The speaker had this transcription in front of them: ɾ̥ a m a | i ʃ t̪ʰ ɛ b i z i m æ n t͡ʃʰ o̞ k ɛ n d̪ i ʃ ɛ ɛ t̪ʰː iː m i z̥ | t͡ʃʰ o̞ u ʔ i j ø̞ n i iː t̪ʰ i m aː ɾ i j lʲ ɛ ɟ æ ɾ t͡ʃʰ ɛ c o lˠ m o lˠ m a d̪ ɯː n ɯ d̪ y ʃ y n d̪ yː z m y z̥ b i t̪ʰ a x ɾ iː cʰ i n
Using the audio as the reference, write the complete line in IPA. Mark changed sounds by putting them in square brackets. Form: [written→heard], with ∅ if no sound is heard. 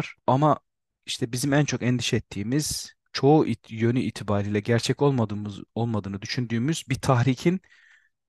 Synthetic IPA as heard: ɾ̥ a m a | i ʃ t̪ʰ ɛ b i z i m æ n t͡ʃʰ o̞ k ɛ n d̪ i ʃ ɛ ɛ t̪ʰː iː m i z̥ | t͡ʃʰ o̞ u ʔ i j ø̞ n [i→y] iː t̪ʰ i [m→b] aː ɾ i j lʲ ɛ ɟ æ ɾ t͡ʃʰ ɛ c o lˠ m o lˠ m a d̪ ɯː n ɯ d̪ y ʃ y n d̪ yː [z→∅] m y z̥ b i t̪ʰ a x ɾ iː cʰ i n